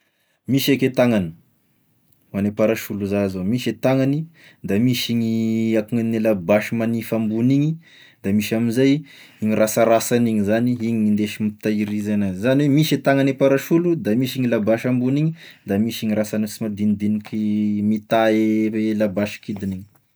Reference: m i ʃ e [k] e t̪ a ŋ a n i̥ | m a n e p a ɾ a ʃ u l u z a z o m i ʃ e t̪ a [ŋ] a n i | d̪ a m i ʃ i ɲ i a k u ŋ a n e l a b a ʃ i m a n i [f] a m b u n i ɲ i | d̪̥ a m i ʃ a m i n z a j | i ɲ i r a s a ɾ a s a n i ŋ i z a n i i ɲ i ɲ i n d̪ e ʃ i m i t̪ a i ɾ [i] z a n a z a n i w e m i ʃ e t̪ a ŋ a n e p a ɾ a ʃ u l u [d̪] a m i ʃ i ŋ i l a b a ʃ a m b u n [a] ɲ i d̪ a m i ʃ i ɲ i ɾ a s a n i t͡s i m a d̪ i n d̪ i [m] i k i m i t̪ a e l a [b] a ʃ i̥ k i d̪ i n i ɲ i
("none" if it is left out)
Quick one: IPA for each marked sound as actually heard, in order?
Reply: k, ŋ, f, i, d̪, i, n, b

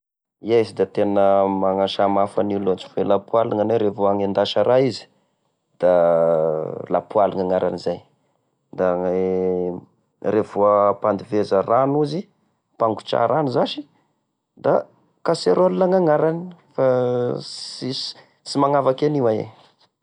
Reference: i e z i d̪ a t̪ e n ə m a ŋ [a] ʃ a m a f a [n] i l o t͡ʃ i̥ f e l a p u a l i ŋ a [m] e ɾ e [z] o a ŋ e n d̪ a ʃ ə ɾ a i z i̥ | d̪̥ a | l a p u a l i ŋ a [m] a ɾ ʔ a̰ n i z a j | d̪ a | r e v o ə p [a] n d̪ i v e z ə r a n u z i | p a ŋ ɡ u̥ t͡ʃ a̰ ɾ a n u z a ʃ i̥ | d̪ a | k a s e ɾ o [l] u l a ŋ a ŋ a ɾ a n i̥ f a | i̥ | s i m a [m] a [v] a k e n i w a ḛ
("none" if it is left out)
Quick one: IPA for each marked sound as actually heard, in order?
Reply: a, n, n, v, ŋ, a, l, ŋ, v

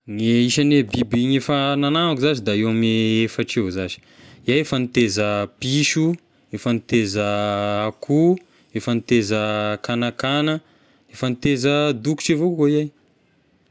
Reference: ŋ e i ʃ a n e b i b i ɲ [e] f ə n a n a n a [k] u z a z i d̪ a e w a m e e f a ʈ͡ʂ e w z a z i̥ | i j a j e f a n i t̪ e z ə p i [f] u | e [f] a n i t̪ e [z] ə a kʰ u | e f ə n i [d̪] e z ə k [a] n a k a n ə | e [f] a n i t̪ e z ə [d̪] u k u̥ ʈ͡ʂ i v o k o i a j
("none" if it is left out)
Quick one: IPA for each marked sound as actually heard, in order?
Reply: e, k, ʃ, f, z, t̪, a, f, d̪

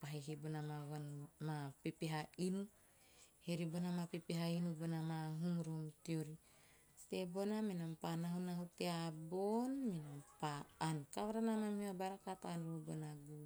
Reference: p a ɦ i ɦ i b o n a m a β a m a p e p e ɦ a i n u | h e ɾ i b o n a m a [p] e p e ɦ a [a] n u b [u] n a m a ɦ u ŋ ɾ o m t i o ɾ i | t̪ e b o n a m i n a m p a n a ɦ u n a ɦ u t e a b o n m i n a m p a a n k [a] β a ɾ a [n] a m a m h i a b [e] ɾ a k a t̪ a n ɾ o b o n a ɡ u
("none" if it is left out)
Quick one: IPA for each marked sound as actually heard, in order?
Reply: p, i, o, a, n, a

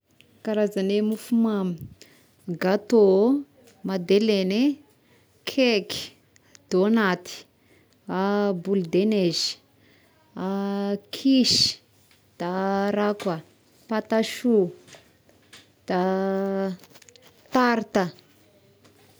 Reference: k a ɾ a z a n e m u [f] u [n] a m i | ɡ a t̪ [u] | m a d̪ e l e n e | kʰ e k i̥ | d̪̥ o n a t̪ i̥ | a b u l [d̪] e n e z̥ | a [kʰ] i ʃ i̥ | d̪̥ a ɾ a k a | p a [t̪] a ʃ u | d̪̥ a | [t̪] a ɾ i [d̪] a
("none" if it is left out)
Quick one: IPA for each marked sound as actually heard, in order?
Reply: f, m, o, d̪, kʰ, t̪, t̪, t̪

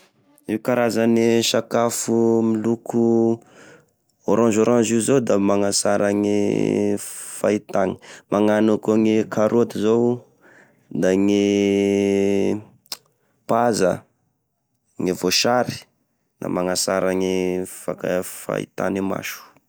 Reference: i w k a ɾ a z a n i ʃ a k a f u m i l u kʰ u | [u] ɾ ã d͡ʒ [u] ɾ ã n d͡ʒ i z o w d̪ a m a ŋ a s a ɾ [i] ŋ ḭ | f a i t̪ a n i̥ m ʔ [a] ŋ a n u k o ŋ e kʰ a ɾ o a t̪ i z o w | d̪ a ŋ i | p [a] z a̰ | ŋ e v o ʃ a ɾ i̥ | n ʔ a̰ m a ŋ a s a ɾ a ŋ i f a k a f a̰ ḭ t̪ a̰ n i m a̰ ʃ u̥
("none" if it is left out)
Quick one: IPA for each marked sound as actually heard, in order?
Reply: o, o, a, a, a

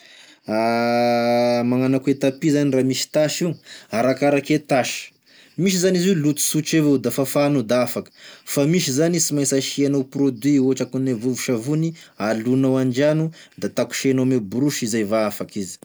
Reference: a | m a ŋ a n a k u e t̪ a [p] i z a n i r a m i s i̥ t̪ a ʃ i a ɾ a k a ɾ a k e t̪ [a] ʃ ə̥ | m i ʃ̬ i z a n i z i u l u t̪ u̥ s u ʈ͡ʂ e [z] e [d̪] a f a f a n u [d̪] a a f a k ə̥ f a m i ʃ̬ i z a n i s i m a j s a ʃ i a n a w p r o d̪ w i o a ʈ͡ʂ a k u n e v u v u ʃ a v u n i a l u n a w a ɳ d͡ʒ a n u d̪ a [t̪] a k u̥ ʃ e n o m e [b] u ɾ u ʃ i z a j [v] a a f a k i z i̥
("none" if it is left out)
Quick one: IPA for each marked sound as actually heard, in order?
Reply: p, a, v, d̪, d̪, t̪, b, v

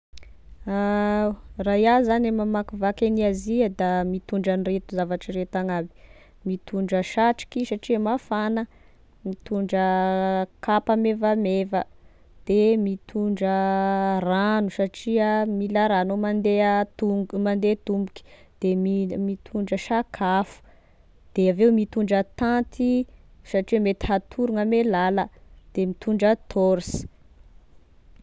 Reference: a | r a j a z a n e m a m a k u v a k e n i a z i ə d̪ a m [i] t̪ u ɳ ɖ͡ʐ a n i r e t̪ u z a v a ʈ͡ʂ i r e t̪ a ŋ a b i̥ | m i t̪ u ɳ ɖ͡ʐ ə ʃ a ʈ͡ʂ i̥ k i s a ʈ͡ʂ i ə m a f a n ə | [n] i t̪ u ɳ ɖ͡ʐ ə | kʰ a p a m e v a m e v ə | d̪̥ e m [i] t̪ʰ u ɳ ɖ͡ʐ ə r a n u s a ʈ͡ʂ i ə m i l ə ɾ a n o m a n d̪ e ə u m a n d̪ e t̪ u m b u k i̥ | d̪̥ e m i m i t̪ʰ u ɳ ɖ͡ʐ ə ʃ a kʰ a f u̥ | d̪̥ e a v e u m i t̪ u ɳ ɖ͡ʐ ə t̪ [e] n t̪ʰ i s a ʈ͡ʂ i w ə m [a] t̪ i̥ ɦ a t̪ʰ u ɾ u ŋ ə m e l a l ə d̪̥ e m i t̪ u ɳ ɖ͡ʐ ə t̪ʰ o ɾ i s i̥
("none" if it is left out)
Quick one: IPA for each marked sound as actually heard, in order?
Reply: i, m, i, a, e

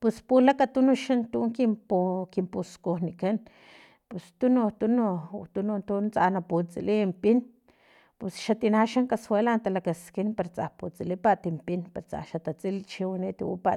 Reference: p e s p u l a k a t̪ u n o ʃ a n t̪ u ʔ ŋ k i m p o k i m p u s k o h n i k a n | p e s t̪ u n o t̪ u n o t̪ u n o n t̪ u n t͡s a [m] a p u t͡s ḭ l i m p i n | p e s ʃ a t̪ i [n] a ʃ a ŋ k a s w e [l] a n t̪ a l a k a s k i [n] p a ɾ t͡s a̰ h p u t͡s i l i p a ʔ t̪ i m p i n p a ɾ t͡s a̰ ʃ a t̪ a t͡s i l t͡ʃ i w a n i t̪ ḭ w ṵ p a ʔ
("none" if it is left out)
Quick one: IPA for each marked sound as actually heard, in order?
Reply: n, n, l, n

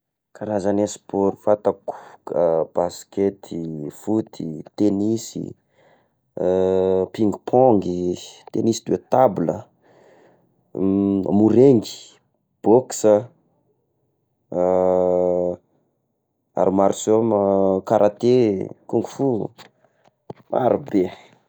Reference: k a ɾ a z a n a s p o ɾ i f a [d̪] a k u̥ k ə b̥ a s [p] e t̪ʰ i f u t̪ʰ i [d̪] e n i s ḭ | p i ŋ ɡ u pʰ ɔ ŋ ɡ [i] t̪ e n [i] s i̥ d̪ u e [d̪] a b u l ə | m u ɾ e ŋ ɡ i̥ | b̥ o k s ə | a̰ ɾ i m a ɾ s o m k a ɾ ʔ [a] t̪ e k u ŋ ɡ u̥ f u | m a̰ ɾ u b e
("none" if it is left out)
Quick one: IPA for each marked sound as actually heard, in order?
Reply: t̪, k, t̪, i, i, t̪, a

